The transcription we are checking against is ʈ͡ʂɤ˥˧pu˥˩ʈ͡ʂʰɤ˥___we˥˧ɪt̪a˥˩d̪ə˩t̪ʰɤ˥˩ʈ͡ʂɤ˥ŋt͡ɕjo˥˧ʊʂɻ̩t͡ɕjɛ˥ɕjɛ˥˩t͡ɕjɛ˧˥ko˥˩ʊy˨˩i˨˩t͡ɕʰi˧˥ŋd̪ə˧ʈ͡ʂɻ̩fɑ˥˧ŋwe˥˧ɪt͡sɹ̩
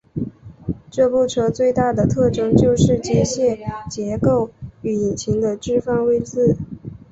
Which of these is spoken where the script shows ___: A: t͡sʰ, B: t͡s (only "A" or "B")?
B